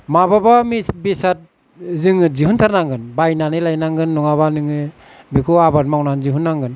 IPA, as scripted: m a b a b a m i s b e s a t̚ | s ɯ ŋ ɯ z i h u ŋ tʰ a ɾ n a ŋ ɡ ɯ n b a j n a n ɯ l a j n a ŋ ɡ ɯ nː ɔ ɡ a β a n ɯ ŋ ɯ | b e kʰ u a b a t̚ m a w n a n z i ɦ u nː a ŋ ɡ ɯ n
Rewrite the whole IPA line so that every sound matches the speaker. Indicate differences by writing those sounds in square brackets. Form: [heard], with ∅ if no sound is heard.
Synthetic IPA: m a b a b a m i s b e s a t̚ | [z] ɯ ŋ ɯ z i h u [n] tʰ a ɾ n a ŋ ɡ ɯ n b a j n a n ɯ l a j n a ŋ ɡ ɯ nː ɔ [ŋ] a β a n ɯ ŋ ɯ | b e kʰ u a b a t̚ m a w n a n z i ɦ u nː a ŋ ɡ ɯ n